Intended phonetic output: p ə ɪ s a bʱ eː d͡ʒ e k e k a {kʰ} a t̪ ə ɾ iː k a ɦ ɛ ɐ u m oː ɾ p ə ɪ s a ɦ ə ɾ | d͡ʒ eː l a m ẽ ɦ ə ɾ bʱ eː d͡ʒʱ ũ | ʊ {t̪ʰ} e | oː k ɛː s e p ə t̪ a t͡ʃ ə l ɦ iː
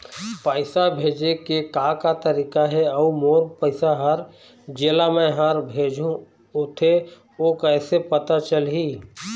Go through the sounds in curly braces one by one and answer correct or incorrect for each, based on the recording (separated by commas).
incorrect, correct